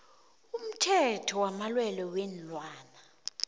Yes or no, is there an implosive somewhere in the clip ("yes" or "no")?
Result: no